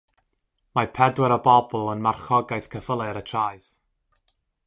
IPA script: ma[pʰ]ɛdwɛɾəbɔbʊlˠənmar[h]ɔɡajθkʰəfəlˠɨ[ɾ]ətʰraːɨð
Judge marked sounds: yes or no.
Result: yes, no, yes

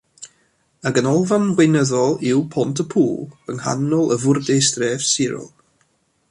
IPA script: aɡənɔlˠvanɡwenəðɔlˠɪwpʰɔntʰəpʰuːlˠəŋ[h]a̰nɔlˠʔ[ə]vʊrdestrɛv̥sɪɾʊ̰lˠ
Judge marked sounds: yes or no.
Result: yes, yes

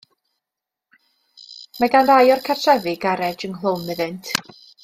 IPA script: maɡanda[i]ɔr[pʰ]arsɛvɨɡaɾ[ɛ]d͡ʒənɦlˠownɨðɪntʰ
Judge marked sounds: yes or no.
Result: no, no, yes

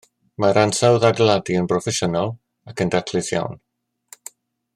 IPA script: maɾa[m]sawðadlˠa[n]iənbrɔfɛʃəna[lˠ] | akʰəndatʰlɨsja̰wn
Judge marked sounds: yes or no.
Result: no, no, yes

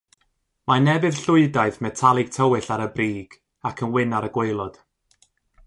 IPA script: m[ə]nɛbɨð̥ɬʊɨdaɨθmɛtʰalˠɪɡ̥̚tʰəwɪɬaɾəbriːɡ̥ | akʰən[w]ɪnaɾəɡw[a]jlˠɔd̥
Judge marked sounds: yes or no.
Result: no, yes, no

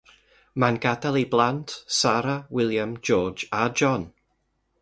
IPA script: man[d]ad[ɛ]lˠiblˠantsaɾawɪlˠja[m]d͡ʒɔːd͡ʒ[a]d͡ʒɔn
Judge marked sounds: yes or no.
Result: no, no, yes, yes

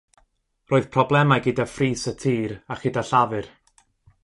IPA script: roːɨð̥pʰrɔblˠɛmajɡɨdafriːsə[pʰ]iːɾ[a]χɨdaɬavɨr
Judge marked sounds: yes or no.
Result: no, yes

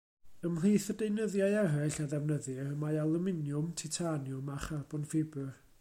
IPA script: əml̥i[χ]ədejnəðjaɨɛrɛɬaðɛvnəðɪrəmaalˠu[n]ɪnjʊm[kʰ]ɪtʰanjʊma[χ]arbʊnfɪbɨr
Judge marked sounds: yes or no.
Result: no, no, no, yes

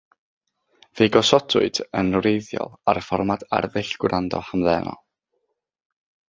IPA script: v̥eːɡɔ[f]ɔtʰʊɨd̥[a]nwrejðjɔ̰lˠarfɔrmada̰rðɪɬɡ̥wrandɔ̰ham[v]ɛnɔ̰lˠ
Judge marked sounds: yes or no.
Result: no, no, no

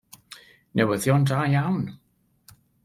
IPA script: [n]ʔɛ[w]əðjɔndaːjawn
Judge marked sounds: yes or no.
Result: yes, yes

